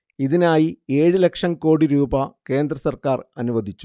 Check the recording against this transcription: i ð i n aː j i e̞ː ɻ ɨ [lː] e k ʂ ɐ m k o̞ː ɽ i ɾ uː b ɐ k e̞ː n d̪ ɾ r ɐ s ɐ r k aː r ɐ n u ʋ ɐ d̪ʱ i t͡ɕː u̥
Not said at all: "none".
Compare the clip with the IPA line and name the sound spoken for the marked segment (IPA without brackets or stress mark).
l